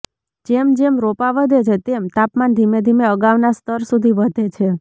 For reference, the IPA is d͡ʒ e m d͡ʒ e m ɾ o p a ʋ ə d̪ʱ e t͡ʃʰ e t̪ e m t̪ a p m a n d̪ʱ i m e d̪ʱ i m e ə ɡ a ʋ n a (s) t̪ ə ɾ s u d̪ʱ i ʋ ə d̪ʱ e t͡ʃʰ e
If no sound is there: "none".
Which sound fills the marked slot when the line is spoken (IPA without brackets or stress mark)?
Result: s